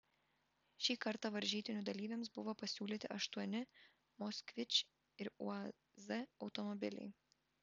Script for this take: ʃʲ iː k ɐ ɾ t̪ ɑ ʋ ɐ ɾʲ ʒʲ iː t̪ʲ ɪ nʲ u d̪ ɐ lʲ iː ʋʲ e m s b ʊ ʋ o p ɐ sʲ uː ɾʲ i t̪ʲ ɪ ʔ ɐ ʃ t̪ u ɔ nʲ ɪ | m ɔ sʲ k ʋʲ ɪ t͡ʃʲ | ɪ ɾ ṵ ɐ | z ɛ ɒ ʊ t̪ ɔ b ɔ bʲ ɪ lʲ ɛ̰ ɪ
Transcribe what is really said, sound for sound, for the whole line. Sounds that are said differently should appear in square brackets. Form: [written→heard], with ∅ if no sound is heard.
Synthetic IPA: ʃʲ iː k ɐ ɾ t̪ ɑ ʋ ɐ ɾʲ ʒʲ iː t̪ʲ ɪ nʲ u d̪ ɐ lʲ iː ʋʲ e m s b ʊ ʋ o p ɐ sʲ uː [ɾʲ→lʲ] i t̪ʲ ɪ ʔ ɐ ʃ t̪ u ɔ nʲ ɪ | m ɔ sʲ k ʋʲ ɪ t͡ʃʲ | ɪ ɾ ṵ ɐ | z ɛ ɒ ʊ t̪ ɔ [b→m] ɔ bʲ ɪ lʲ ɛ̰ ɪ